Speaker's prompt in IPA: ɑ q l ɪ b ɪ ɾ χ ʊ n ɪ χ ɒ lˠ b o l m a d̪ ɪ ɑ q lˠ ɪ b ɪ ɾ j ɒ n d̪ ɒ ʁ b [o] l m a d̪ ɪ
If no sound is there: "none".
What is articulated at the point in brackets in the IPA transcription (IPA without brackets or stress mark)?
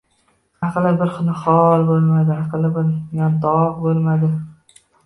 o